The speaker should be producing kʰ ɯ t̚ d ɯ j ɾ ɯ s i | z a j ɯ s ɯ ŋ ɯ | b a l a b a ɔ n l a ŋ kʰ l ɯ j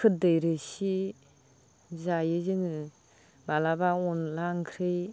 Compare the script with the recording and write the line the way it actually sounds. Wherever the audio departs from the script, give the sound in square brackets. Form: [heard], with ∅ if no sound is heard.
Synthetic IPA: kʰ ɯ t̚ d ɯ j ɾ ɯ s i | z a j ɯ [z] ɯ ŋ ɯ | b a l a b a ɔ n l a ŋ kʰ [ɾ] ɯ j

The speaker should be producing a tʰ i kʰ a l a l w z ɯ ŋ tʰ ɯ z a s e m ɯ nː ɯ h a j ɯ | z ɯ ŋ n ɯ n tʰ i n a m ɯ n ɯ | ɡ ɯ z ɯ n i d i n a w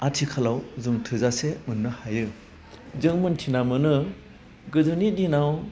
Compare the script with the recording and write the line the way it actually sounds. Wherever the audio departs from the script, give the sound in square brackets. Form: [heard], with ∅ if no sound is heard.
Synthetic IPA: a tʰ i kʰ a l a [∅] w z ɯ ŋ tʰ ɯ z a s e m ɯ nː ɯ h a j ɯ | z ɯ ŋ [m] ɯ n tʰ i n a m ɯ n ɯ | ɡ ɯ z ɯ n i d i n a w

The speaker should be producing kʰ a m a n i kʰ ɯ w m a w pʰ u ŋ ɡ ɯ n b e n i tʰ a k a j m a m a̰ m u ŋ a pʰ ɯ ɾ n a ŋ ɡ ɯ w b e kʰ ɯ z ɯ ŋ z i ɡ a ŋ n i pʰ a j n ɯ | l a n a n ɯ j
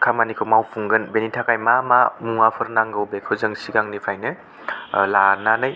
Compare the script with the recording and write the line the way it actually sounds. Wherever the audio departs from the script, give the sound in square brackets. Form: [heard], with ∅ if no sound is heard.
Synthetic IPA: kʰ a m a n i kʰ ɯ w m a w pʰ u ŋ ɡ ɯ n b e n i tʰ a k a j m a m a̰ m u ŋ a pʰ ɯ ɾ n a ŋ ɡ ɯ w b e kʰ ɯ z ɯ ŋ [s] i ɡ a ŋ n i pʰ a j n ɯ | l a n a n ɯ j

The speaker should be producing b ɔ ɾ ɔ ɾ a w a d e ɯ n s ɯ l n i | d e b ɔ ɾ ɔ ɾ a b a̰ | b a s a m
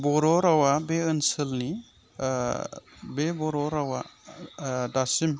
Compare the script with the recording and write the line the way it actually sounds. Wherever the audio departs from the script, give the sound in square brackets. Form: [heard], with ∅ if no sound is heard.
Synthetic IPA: b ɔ ɾ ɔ ɾ a w a [b] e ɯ n s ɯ l n i | [b] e b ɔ ɾ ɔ ɾ a [w] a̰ | [d] a s [i] m

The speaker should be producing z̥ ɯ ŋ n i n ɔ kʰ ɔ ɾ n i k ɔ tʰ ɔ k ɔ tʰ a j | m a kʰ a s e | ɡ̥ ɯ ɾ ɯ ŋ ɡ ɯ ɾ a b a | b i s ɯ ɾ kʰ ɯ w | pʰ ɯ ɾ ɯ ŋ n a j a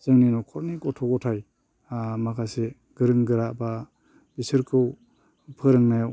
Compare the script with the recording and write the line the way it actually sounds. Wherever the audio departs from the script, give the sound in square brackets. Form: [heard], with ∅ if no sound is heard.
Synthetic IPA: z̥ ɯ ŋ n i n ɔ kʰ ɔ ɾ n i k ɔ tʰ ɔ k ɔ tʰ a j | m a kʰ a s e | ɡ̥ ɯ ɾ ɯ ŋ ɡ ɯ ɾ a b a | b i s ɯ ɾ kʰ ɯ w | pʰ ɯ ɾ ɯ ŋ n a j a

